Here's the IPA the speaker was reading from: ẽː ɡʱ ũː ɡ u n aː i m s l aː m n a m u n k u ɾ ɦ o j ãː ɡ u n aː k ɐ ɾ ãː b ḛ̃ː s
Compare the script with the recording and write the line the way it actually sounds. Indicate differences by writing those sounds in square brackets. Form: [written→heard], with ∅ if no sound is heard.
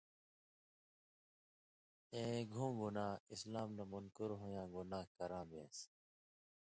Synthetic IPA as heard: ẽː ɡʱ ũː ɡ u n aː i [m→∅] s l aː m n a m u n k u ɾ ɦ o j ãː ɡ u n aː k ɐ ɾ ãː b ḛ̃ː s